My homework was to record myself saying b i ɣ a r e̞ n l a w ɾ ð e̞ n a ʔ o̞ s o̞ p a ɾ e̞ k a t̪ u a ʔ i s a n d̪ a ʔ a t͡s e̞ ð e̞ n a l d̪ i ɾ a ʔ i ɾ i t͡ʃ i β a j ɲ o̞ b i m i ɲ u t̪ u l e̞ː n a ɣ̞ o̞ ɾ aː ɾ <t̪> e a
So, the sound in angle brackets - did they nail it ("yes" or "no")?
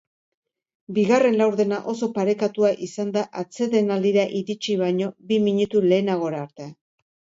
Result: yes